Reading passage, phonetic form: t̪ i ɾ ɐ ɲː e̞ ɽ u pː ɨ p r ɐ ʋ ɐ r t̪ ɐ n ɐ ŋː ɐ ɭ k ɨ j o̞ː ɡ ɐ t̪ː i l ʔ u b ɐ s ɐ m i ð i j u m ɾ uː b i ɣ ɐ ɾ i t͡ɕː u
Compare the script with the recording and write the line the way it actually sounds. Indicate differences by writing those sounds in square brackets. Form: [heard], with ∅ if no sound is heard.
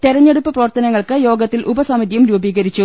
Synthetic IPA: t̪ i ɾ ɐ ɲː e̞ ɽ u pː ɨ p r ɐ ʋ ɐ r t̪ ɐ n ɐ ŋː ɐ ɭ k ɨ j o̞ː ɡ ɐ t̪ː i l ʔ u b ɐ s ɐ m i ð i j u m ɾ uː b [iː] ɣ ɐ ɾ i t͡ɕː u